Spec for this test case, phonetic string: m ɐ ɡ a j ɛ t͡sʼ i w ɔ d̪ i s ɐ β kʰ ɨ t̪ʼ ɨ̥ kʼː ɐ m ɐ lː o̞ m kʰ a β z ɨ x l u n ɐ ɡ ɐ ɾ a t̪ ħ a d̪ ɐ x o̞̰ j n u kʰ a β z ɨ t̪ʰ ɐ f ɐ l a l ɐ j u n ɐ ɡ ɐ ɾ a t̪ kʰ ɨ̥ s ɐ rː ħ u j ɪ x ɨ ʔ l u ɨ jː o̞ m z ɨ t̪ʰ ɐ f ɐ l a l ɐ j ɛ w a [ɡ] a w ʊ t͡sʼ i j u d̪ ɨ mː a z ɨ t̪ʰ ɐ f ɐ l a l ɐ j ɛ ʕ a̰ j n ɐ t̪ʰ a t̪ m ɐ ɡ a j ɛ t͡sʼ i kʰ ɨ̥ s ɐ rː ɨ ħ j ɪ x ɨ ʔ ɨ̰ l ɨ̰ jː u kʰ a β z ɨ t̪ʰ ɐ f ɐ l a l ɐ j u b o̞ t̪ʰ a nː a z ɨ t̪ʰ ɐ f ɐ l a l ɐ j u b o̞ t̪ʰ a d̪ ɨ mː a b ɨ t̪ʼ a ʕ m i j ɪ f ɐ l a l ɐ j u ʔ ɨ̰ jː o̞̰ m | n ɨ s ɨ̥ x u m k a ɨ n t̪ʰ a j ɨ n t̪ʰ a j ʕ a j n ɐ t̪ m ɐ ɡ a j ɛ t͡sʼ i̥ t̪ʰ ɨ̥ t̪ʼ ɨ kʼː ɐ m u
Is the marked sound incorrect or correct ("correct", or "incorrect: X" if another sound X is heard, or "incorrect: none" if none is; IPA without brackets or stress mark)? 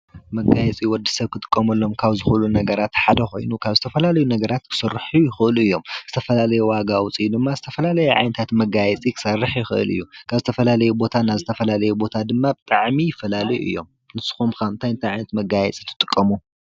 correct